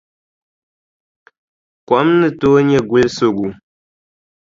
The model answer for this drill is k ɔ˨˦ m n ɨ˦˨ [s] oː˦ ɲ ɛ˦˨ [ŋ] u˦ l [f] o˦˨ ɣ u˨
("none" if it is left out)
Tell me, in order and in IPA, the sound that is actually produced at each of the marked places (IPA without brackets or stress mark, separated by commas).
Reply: t, ɡ, s